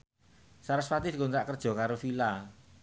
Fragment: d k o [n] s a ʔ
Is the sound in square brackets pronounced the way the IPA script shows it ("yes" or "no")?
yes